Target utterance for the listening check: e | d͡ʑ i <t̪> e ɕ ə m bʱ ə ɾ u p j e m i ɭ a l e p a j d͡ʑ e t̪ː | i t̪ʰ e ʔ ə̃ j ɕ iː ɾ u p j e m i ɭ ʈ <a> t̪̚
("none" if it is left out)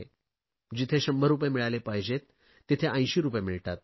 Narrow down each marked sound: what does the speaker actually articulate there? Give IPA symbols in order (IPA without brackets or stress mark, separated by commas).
t̪ʰ, a